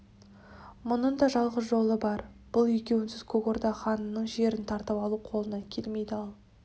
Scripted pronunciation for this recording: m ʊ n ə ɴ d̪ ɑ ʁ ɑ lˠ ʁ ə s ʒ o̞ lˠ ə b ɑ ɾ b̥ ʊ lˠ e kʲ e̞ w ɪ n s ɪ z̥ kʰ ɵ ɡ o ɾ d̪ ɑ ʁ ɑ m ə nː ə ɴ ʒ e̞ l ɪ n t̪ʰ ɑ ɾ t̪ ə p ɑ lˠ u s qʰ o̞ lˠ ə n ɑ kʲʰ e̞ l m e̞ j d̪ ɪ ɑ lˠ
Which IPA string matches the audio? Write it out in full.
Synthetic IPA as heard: m ʊ n ə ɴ d̪ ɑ ʒ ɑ lˠ ʁ ə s ʒ o̞ lˠ ə b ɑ ɾ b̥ ʊ lˠ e kʲ e̞ w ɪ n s ɪ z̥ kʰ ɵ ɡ o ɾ d̪ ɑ χ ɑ n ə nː ə ɴ ʒ e̞ ɾ ɪ n t̪ʰ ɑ ɾ t̪ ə p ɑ lˠ u qʰ o̞ lˠ ə n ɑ kʲʰ e̞ l m e̞ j d̪ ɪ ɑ lˠ